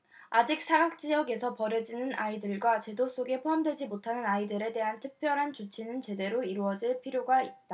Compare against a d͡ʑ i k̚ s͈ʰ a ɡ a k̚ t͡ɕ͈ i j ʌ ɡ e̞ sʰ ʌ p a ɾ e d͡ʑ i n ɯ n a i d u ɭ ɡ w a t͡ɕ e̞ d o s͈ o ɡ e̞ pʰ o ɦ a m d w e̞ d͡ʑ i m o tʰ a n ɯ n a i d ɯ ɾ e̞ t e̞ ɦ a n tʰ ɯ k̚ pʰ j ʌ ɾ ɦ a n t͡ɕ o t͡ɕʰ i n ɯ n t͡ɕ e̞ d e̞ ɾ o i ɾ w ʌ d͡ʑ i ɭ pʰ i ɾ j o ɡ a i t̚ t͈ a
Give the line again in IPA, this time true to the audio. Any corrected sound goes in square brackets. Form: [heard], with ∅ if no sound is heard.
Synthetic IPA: a d͡ʑ i k̚ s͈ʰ a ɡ a k̚ t͡ɕ͈ i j ʌ ɡ e̞ sʰ ʌ p [ʌ] ɾ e d͡ʑ i n ɯ n a i d [ɯ] ɭ ɡ w a t͡ɕ e̞ d o s͈ o ɡ e̞ pʰ o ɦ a m d w e̞ d͡ʑ i m o tʰ a n ɯ n a i d ɯ ɾ e̞ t e̞ ɦ a n tʰ ɯ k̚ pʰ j ʌ ɾ ɦ a n t͡ɕ o t͡ɕʰ i n ɯ n t͡ɕ e̞ d e̞ ɾ o i ɾ [u] ʌ d͡ʑ i ɭ pʰ i ɾ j o ɡ a i t̚ t͈ a